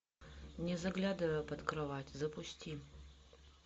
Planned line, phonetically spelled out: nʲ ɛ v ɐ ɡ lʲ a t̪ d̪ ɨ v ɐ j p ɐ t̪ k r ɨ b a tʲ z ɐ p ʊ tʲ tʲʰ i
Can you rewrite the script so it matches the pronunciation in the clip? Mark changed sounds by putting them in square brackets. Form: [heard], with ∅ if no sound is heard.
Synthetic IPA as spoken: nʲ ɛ [z] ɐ ɡ lʲ a [∅] d̪ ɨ v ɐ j p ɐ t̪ k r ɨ [v] a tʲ z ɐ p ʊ [sʲ] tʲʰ i

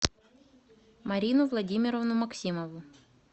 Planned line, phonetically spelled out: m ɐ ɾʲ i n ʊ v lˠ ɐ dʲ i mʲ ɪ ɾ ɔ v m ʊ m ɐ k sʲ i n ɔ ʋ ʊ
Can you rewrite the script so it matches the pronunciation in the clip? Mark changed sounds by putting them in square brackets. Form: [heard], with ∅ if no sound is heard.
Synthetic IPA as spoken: m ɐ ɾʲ i n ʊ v lˠ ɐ dʲ i mʲ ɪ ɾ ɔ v [n] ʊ m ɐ k sʲ i [m] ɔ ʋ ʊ

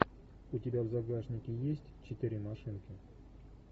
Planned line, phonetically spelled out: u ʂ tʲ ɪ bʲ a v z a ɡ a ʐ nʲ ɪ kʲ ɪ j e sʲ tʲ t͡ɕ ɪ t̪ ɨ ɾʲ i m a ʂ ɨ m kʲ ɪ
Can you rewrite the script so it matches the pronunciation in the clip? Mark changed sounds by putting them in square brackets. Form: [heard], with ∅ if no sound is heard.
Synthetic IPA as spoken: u [∅] tʲ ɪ bʲ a v z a ɡ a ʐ nʲ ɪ kʲ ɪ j e sʲ tʲ t͡ɕ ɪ t̪ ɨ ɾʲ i m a ʂ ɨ [n] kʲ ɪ

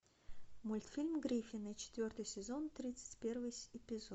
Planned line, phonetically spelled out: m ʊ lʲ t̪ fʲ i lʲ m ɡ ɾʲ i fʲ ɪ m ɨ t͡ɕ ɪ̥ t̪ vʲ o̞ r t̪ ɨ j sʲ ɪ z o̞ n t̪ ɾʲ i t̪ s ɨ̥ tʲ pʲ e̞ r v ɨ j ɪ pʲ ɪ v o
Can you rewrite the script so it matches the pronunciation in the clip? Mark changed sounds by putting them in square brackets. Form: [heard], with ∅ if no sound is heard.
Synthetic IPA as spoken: m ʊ lʲ t̪ fʲ i lʲ m ɡ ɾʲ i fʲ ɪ [n] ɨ t͡ɕ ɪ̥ t̪ vʲ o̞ r t̪ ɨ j sʲ ɪ z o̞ n t̪ ɾʲ i t̪ s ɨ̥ tʲ pʲ e̞ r v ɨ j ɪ pʲ ɪ [z] o

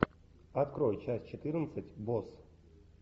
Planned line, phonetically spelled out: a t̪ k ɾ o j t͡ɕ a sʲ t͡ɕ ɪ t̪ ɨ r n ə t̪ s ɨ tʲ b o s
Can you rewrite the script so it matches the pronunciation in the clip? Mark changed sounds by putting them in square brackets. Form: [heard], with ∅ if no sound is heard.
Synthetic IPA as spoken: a t̪ k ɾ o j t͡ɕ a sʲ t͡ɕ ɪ t̪ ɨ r n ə t̪ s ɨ tʲ b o s

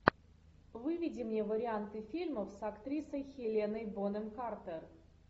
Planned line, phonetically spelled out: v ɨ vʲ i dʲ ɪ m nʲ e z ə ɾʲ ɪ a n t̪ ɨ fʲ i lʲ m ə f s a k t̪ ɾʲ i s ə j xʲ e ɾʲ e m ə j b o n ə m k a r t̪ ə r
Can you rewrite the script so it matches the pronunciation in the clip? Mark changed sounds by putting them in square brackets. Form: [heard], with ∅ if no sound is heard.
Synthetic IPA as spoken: v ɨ vʲ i dʲ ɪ m nʲ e [v] ə ɾʲ ɪ a n t̪ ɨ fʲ i lʲ m ə f s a k t̪ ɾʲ i s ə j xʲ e [lʲ] e [n] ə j b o n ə m k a r t̪ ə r

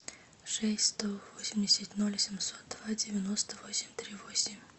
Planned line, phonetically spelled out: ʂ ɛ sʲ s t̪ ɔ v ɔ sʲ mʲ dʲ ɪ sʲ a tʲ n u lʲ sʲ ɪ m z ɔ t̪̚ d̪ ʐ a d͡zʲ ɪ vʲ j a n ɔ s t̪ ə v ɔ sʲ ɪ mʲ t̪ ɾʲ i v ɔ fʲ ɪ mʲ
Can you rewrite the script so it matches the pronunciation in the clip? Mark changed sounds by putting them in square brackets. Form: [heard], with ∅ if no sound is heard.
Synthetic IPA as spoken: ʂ ɛ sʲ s t̪ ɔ v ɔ sʲ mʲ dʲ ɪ sʲ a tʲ n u lʲ sʲ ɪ m [s] ɔ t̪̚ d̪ [v] a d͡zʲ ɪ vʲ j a n ɔ s t̪ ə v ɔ sʲ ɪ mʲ t̪ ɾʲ i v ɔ [sʲ] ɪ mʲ

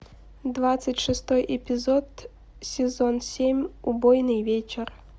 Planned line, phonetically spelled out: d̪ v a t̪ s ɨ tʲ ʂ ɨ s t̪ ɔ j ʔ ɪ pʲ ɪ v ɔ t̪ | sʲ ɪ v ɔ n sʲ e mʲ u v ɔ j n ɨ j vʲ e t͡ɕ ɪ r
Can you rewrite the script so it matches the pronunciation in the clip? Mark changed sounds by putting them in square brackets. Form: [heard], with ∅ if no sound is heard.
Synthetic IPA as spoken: d̪ v a t̪ s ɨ tʲ ʂ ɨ s t̪ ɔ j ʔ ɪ pʲ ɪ [z] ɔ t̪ | sʲ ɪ [z] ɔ n sʲ e mʲ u [b] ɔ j n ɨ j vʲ e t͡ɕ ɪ r

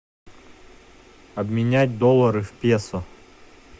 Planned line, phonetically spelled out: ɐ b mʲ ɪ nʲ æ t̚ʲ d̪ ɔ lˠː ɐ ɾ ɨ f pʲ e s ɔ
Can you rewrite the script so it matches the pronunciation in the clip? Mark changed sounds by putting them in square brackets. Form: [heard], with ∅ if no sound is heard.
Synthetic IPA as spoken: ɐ b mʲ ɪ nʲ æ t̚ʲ d̪ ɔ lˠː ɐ ɾ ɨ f pʲ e s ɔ

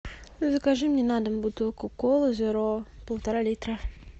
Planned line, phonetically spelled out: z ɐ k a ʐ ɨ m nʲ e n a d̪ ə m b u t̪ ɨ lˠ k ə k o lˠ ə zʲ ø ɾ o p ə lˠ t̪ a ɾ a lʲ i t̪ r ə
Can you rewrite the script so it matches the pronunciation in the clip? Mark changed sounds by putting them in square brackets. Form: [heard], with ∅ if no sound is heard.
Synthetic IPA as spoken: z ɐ k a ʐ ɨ m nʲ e n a d̪ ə m b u t̪ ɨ lˠ k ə k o lˠ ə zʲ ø ɾ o p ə lˠ t̪ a ɾ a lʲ i t̪ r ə

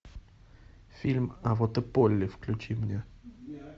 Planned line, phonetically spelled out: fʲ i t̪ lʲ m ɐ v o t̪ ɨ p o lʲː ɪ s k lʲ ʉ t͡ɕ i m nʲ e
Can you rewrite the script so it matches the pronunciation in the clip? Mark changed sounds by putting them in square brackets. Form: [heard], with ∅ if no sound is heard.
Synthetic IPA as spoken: fʲ i [∅] lʲ m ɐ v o t̪ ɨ p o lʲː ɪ [f] k lʲ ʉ t͡ɕ i m nʲ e

